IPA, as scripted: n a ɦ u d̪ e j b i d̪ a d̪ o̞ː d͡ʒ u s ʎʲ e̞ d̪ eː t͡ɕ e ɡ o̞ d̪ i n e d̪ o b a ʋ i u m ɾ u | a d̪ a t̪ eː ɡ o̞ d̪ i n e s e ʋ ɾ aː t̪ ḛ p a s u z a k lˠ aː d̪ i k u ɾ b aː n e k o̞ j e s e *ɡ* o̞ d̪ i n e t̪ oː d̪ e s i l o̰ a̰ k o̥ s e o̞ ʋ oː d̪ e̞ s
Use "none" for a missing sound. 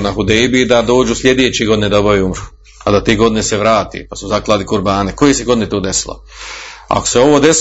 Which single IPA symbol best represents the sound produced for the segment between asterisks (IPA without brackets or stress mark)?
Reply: ɡ